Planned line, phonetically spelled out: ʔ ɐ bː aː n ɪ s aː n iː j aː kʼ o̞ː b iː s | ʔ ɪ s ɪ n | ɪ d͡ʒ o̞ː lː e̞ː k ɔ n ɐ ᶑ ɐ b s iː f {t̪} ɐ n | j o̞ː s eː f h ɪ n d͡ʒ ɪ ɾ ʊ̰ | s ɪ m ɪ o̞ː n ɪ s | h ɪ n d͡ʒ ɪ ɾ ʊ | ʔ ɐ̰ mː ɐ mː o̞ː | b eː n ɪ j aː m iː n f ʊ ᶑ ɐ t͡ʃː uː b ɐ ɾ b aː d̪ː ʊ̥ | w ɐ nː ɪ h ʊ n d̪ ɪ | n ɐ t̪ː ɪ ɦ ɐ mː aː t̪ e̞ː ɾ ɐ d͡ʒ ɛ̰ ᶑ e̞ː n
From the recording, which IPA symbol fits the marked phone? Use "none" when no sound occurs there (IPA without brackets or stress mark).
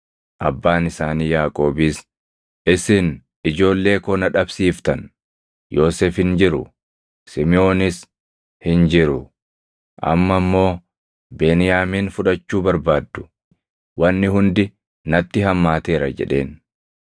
t̪